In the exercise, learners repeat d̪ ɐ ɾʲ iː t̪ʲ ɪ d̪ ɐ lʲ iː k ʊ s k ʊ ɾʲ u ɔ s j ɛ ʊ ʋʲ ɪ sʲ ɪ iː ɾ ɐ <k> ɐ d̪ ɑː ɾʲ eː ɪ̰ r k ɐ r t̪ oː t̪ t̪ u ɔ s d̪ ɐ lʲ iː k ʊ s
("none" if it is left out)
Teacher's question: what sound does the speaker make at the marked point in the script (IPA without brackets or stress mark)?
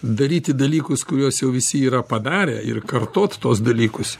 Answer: p